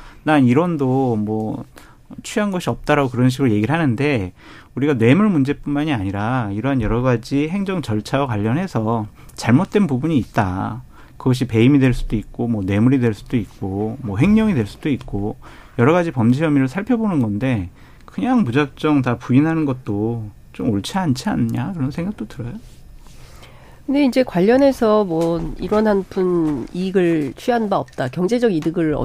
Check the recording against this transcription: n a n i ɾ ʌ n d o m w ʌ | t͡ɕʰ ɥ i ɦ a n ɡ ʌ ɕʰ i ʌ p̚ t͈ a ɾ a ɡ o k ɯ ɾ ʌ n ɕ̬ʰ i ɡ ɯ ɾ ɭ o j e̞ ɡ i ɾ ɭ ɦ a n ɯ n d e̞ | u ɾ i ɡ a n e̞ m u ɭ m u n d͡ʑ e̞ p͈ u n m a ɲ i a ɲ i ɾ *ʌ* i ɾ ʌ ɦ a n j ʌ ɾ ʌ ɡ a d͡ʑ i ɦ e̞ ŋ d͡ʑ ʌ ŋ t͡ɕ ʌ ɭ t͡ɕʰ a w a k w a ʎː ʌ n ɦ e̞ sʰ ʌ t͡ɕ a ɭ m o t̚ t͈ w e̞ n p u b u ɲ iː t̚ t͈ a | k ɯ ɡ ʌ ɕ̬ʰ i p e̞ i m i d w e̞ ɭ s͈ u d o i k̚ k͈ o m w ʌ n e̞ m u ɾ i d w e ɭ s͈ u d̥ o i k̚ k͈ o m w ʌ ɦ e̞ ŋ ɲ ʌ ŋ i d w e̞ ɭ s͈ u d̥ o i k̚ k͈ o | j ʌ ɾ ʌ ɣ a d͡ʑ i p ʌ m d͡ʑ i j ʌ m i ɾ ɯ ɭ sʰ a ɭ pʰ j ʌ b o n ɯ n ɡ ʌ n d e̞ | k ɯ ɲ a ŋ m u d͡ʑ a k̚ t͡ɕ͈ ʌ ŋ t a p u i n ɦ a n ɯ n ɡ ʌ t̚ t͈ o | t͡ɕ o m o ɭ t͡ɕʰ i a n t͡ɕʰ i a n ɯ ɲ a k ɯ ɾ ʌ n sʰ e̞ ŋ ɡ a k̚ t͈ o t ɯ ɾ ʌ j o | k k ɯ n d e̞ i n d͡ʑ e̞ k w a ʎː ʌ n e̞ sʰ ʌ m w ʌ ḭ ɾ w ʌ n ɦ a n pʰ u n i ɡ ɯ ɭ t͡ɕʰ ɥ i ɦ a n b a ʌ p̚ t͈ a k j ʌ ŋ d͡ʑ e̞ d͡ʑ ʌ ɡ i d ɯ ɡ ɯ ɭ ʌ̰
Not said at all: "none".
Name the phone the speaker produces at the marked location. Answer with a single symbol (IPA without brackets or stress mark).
a